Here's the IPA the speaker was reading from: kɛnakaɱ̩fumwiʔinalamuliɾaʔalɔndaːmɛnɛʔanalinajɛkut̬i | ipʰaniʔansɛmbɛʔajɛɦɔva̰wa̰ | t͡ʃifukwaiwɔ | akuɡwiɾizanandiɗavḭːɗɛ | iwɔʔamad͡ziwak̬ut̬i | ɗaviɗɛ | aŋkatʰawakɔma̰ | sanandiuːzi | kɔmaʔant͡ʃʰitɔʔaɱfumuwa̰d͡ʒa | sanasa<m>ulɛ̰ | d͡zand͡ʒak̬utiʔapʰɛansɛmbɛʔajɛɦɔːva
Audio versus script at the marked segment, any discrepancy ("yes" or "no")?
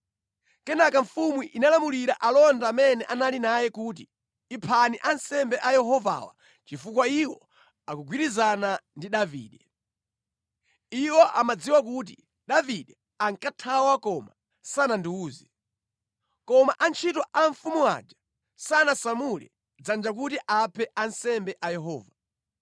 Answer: no